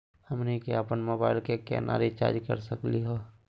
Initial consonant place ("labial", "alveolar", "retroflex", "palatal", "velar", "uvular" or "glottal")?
glottal